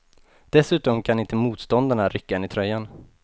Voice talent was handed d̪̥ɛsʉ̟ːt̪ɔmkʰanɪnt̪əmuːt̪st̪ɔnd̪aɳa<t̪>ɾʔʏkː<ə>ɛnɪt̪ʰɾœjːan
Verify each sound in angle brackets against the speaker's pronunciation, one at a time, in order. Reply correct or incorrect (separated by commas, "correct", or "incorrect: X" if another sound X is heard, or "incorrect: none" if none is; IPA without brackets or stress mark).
incorrect: none, incorrect: a